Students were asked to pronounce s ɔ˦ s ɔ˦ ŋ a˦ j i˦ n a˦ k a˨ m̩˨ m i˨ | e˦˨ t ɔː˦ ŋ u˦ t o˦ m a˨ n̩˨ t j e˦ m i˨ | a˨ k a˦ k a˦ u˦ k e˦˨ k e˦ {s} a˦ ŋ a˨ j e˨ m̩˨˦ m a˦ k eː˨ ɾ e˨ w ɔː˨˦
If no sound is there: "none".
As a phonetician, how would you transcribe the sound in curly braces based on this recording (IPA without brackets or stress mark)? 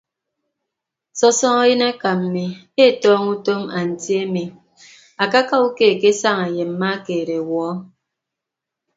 s